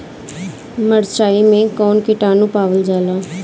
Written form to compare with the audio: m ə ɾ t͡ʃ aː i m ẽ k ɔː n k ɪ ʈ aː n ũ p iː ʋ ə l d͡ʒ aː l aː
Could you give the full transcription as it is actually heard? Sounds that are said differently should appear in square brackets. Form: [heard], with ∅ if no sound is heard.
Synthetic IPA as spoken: m ə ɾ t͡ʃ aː i m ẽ k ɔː n k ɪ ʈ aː n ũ p [aː] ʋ ə l d͡ʒ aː l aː